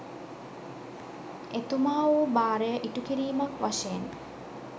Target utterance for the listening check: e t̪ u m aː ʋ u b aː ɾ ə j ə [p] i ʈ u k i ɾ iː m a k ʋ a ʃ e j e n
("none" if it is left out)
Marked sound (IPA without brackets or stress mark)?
ʔ